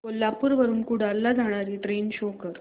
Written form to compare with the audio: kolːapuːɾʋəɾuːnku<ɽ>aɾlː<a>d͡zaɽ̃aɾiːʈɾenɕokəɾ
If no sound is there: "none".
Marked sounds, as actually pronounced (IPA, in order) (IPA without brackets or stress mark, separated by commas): ɽ, a